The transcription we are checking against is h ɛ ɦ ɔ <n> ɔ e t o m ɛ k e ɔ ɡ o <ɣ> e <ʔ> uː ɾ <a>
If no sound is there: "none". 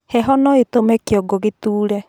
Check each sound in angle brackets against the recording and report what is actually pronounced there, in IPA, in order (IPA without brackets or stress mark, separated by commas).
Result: n, ɣ, t, ɛ